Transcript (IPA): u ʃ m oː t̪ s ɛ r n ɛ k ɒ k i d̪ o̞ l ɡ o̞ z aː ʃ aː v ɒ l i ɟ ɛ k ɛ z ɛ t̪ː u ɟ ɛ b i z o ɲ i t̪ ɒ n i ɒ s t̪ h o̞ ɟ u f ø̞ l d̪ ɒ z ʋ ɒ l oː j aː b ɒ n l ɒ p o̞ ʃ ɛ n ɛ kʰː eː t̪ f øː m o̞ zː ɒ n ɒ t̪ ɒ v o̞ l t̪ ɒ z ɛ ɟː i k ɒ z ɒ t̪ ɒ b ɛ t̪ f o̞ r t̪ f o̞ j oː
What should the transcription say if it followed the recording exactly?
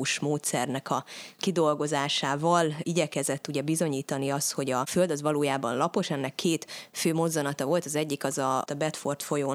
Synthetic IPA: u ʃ m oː t̪ s ɛ r n ɛ k ɒ k i d̪ o̞ l ɡ o̞ z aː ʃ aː v ɒ l i ɟ ɛ k ɛ z ɛ t̪ː u ɟ ɛ b i z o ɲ iː t̪ ɒ n i ɒ s t̪ h o̞ ɟ ɒ f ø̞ l d̪ ɒ z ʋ ɒ l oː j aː b ɒ n l ɒ p o̞ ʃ ɛ nː ɛ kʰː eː t̪ f øː m o̞ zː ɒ n ɒ t̪ ɒ v o̞ l t̪ ɒ z ɛ ɟː i k ɒ z ɒ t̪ ɒ b ɛ t̪ f o̞ r t̪ f o̞ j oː